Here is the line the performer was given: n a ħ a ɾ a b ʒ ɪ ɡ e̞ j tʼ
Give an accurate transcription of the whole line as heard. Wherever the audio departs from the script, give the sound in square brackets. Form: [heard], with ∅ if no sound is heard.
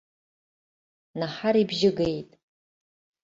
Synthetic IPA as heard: n a ħ a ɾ [i] b ʒ ɪ ɡ e̞ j tʼ